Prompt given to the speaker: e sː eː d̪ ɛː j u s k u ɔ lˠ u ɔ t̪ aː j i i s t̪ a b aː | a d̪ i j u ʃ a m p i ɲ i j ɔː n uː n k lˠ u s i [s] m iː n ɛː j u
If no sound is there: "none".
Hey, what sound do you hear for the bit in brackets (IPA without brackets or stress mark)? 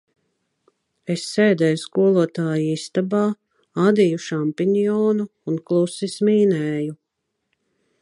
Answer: s